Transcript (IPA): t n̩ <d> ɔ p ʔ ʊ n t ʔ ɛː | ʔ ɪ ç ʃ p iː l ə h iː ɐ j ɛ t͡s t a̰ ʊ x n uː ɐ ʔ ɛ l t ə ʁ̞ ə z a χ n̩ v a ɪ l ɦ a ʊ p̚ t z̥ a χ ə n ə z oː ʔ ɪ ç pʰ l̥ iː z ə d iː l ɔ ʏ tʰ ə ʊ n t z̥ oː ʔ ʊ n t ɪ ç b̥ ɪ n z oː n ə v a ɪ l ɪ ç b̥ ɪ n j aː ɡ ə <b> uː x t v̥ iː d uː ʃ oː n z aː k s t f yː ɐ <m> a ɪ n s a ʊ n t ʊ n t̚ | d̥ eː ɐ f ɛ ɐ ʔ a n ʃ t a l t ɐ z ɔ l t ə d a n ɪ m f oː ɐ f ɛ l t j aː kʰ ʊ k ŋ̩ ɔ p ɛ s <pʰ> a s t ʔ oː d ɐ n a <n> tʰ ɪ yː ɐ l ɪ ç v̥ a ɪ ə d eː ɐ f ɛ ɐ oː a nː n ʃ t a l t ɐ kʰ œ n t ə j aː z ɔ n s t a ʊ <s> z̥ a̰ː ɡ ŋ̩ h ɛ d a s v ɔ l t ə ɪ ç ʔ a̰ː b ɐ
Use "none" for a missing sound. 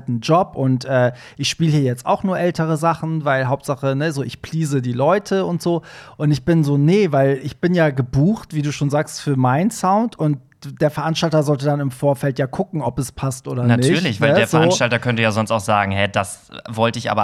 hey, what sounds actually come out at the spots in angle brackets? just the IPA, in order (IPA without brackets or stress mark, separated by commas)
d͡ʒ, b, m, pʰ, n, x